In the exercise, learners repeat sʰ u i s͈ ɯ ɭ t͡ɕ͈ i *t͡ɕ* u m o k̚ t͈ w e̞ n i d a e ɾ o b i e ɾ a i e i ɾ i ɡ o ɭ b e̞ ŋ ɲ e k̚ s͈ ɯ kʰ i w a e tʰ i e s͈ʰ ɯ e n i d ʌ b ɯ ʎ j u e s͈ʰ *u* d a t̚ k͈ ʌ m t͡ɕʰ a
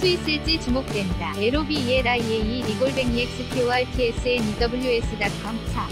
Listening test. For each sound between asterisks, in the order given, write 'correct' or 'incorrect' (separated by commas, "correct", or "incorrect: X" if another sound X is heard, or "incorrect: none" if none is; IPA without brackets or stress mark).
correct, incorrect: ɯ